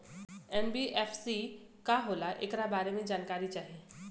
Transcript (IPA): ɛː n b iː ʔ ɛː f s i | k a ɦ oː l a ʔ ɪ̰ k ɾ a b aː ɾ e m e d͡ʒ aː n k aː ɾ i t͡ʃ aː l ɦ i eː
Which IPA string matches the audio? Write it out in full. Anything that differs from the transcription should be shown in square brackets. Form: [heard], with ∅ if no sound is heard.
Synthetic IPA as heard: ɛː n b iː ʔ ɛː f s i | k a ɦ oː l a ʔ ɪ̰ k ɾ a b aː ɾ e m [ẽ] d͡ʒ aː n k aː ɾ i t͡ʃ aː [∅] ɦ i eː